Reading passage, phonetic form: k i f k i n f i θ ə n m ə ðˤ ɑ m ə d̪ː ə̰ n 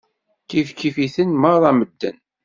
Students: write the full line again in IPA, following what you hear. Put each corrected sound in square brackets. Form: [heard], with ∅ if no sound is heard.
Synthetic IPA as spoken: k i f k i [∅] f i θ ə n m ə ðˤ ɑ m ə d̪ː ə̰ n